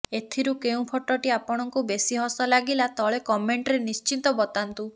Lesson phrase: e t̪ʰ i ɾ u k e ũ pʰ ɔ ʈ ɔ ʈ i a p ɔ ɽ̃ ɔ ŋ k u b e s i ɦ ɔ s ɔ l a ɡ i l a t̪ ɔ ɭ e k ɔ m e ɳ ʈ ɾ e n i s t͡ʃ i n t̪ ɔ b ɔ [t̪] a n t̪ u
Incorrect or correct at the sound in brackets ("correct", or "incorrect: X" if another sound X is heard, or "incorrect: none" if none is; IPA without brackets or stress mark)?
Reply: correct